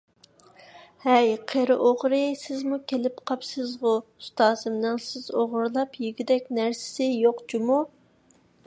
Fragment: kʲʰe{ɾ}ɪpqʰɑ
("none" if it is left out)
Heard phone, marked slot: l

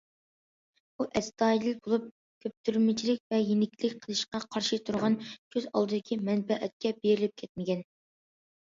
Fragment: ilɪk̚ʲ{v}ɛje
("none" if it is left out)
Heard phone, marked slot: v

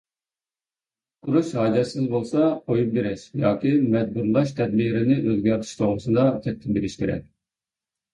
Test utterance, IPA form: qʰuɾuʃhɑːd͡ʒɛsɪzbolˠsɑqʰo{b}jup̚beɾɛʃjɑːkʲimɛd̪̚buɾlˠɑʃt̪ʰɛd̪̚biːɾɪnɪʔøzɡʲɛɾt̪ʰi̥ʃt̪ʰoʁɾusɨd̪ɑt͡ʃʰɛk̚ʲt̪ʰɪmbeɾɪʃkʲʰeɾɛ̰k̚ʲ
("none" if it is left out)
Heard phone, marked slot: none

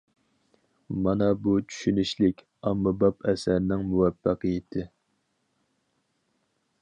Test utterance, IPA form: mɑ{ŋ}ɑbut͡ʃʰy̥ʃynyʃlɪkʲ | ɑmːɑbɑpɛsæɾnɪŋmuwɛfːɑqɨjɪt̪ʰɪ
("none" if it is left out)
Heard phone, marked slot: n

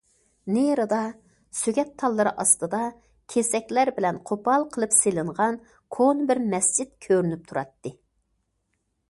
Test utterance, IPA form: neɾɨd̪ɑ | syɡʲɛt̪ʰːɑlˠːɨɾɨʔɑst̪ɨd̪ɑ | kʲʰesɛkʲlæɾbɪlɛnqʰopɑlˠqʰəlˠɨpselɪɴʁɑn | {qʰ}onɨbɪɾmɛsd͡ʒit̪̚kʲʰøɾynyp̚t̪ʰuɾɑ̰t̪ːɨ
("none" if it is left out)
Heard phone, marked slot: kʰ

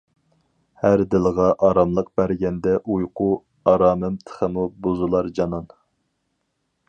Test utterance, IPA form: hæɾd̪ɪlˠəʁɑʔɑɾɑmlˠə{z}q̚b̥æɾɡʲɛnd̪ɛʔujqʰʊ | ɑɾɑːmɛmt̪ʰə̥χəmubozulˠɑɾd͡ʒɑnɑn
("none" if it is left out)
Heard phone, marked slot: none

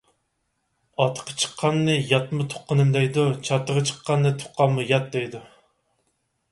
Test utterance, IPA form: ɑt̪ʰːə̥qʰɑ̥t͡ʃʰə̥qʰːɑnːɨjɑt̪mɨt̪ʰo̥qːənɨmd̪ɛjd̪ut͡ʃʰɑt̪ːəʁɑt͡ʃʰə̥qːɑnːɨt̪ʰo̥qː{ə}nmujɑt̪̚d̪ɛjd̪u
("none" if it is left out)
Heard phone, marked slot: ɑ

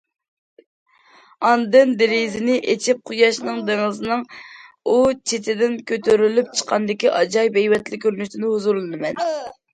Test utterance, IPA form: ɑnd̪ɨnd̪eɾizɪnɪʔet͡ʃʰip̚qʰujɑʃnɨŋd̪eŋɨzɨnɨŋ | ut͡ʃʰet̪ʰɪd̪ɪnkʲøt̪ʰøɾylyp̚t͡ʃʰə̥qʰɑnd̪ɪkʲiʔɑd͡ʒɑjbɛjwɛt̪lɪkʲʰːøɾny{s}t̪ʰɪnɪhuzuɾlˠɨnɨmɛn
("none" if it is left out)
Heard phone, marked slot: ʃ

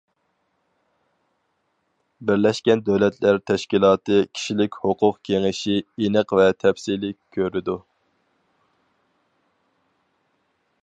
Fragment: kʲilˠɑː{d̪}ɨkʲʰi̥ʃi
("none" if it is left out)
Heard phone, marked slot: t̪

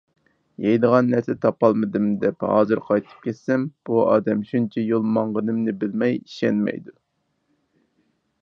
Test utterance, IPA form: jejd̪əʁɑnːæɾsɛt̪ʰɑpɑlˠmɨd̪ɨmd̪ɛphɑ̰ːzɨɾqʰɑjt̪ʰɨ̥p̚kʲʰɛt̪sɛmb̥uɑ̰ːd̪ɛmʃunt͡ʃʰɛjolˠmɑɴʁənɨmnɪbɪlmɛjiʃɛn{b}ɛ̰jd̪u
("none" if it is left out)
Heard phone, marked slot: m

